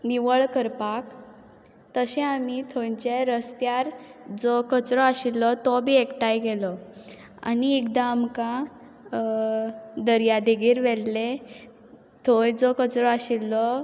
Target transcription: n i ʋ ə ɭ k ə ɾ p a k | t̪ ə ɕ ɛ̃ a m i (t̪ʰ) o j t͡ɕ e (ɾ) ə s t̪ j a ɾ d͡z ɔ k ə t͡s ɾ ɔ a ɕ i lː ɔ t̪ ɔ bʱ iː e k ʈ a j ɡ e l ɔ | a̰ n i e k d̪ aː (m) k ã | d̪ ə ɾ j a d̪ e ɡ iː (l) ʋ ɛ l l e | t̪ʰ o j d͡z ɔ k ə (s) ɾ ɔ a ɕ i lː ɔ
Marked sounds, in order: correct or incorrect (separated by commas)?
correct, correct, correct, incorrect, incorrect